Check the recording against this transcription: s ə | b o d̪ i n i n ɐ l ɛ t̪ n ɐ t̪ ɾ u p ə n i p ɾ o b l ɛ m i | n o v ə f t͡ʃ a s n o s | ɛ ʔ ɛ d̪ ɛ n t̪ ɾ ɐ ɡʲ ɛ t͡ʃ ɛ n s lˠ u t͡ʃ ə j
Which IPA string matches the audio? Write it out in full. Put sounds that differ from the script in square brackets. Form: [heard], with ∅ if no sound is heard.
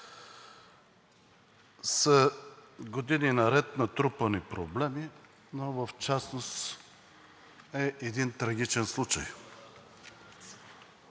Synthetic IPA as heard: s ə | [ɡ] o d̪ i n i n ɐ [ɾ] ɛ t̪ n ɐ t̪ ɾ u p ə n i p ɾ o b l ɛ m i | n o v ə f t͡ʃ a s n o s | ɛ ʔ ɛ d̪ [i] n t̪ ɾ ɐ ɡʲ [i] t͡ʃ ɛ n s lˠ u t͡ʃ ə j